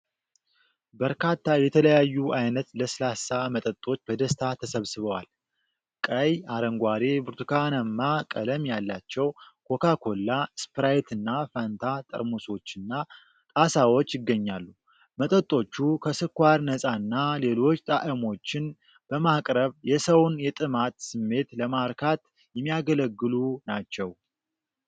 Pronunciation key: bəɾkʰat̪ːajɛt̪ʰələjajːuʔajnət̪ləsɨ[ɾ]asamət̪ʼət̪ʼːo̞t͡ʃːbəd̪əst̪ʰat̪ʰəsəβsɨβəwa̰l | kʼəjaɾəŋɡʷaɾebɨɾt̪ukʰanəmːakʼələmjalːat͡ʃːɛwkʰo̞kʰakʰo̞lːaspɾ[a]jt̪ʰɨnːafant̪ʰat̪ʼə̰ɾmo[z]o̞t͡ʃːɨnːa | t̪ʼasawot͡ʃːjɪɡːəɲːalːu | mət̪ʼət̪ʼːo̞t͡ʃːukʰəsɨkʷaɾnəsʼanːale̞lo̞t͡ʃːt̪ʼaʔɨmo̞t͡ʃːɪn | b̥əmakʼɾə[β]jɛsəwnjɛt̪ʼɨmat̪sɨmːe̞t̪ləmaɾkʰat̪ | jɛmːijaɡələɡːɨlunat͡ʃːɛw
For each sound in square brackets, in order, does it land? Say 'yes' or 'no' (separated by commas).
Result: no, yes, no, yes